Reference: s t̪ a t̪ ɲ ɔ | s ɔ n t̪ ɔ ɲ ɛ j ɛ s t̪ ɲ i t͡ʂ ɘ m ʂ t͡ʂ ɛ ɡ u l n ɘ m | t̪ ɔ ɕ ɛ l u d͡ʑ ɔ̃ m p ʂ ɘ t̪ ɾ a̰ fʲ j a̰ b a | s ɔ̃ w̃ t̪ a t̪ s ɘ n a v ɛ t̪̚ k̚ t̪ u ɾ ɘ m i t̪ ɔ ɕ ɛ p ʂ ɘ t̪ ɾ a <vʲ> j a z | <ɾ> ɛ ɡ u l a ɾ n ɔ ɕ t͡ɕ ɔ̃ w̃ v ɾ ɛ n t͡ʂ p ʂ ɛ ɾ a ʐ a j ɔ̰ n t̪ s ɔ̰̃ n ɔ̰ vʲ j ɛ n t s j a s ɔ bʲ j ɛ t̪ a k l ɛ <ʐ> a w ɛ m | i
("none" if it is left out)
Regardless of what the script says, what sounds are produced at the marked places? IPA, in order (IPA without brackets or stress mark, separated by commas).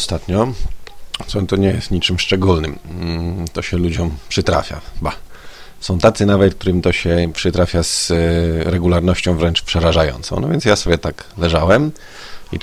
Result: fʲ, ɾ, ʐ